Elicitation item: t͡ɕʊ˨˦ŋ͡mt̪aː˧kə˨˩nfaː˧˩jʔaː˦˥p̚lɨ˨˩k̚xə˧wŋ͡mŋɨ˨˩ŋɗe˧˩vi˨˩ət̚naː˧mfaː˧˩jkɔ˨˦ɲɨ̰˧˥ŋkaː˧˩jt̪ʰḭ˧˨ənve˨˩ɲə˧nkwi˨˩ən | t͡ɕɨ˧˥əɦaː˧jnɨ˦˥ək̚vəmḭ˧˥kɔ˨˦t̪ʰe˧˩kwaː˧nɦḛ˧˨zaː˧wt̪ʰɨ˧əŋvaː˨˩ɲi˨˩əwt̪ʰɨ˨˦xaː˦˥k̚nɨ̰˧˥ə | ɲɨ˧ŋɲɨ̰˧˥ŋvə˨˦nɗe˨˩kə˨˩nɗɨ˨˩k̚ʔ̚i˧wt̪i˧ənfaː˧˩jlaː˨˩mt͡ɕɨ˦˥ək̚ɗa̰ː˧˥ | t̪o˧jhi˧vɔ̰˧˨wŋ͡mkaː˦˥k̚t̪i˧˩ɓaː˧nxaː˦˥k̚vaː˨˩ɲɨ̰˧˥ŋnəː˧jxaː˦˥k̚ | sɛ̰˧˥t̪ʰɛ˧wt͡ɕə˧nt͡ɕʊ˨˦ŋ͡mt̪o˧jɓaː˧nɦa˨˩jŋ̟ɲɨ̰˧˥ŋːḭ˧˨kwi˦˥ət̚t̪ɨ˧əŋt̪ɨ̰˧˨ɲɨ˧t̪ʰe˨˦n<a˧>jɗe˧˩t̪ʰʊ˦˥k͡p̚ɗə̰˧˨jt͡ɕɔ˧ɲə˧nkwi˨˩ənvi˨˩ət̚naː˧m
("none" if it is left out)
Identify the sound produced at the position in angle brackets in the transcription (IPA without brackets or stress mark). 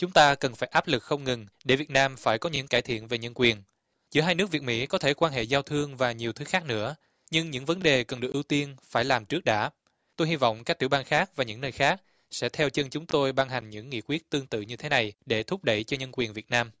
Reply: a˨˩